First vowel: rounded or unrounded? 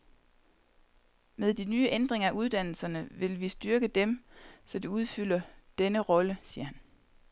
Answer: unrounded